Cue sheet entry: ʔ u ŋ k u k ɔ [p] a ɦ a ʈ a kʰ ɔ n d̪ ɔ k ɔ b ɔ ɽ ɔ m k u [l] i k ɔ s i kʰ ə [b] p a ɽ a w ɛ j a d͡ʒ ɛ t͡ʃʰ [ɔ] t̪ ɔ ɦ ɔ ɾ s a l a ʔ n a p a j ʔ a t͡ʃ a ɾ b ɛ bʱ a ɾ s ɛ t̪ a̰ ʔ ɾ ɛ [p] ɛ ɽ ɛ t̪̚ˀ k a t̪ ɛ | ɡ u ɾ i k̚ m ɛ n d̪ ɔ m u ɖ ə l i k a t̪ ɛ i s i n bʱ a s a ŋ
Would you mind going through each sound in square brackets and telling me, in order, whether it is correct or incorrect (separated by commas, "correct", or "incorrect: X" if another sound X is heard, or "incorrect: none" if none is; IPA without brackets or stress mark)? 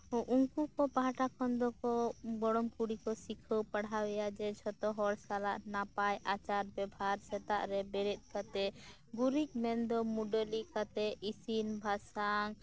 correct, incorrect: ɽ, incorrect: w, correct, incorrect: b